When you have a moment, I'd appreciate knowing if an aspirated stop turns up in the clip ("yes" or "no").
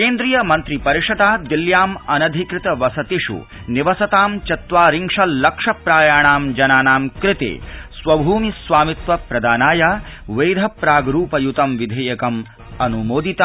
no